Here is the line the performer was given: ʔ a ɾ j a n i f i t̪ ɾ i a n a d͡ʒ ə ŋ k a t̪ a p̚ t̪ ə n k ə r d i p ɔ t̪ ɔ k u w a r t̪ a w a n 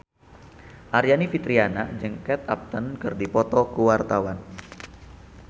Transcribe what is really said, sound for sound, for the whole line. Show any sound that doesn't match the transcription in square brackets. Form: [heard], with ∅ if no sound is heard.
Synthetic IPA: ʔ a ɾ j a n i f i t̪ ɾ i a n a d͡ʒ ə ŋ k [ɛ] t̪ a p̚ t̪ ə n k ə r d i p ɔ t̪ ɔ k u w a r t̪ a w a n

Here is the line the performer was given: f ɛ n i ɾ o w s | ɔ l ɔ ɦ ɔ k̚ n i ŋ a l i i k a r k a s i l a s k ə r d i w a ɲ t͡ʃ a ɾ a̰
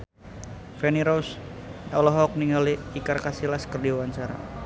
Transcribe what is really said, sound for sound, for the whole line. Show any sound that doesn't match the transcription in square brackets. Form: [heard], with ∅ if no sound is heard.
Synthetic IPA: f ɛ n i ɾ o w s | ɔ l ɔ ɦ ɔ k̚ n i ŋ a l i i k a r k a s i l a s k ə r d i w a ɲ t͡ʃ a ɾ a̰

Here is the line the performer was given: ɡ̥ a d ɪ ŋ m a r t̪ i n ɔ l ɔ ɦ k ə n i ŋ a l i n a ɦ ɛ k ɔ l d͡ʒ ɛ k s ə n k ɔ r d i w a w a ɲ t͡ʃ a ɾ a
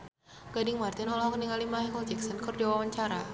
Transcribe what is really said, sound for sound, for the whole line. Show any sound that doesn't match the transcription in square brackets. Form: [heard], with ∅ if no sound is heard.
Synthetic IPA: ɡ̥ a d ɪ ŋ m a r t̪ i n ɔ l ɔ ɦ k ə n i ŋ a l i [m] a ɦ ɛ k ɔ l d͡ʒ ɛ k s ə n k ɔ r d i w a w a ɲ t͡ʃ a ɾ a

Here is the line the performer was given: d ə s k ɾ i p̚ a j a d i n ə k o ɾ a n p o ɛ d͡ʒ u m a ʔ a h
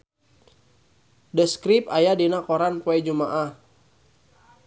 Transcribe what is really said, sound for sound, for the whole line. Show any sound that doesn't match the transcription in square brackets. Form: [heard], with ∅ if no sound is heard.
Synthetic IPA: d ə s k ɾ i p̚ a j a d i n [a] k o ɾ a n p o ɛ d͡ʒ u m a ʔ a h

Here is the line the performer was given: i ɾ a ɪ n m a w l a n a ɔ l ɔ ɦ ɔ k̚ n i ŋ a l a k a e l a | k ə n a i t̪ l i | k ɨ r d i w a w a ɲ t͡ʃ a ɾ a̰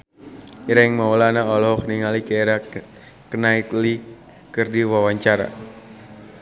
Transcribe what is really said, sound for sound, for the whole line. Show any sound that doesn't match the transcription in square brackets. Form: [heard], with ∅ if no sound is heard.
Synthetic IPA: i ɾ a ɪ [ŋ] m a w l a n a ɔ l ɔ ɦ ɔ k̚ n i ŋ a l [i] k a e [ɾ] a | k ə n a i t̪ l i | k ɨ r d i w a w a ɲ t͡ʃ a ɾ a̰

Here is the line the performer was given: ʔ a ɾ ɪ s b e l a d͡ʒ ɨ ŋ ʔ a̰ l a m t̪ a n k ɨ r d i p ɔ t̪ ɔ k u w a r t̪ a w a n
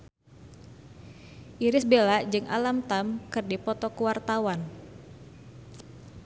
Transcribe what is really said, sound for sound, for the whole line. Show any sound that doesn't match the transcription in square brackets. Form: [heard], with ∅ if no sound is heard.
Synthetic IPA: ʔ [i] ɾ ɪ s b e l a d͡ʒ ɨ ŋ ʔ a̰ l a m t̪ a [m] k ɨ r d i p ɔ t̪ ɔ k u w a r t̪ a w a n

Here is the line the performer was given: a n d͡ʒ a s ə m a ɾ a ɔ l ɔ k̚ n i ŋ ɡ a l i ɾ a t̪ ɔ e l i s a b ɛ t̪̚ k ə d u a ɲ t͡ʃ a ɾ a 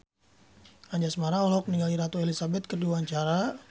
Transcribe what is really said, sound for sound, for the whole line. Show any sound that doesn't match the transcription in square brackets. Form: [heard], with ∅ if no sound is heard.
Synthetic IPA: a [ɲ] d͡ʒ a s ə m a ɾ a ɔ l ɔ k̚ n i ŋ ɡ a l i ɾ a t̪ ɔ e l i s a b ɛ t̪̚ k ə d u a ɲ t͡ʃ a ɾ a

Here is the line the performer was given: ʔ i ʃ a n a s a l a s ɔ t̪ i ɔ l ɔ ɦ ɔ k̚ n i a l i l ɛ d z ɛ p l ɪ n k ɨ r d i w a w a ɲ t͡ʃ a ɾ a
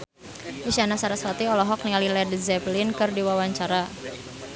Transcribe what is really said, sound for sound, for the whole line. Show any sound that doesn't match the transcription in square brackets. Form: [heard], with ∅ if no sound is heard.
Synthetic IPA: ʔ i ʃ a n a s a [ɾ] a s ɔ t̪ i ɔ l ɔ ɦ ɔ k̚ n i a l i l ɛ d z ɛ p l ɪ n k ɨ r d i w a w a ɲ t͡ʃ a ɾ a

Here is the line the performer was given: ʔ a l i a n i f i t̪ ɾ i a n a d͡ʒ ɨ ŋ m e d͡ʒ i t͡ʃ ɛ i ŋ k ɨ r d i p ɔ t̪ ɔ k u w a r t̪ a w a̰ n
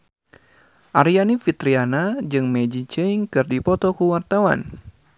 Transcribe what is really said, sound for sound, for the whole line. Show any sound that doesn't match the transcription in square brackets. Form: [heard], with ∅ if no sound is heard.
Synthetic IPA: ʔ a [ɾ] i a n i f i t̪ ɾ i a n a d͡ʒ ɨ ŋ m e d͡ʒ i t͡ʃ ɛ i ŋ k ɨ r d i p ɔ t̪ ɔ k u w a r t̪ a w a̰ n

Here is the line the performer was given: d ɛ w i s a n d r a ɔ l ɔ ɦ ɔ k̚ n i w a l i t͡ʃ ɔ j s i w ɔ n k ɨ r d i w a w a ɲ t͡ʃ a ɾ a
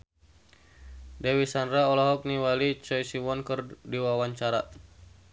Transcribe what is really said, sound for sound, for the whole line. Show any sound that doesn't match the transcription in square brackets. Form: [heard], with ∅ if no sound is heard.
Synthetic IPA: d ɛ w i s a n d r a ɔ l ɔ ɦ ɔ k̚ n i w a l i t͡ʃ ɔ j s i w ɔ n k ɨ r d i w a w a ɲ t͡ʃ a ɾ a

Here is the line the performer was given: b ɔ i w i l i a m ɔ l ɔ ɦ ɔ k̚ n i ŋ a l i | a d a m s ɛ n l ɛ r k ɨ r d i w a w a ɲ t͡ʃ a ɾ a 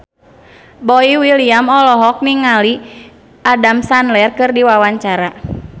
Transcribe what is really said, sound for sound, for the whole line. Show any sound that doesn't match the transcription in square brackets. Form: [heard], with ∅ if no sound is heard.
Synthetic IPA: b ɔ i w i l i a m ɔ l ɔ ɦ ɔ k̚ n i ŋ a l i | a d a m s [a] n l ɛ r k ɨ r d i w a w a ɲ t͡ʃ a ɾ a

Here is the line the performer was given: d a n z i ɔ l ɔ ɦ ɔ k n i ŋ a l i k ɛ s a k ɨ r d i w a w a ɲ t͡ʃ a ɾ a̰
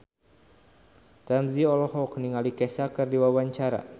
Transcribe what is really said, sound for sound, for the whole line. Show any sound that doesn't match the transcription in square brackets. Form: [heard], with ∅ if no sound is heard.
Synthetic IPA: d a [m] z i ɔ l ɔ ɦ ɔ k n i ŋ a l i k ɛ s a k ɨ r d i w a w a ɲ t͡ʃ a ɾ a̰

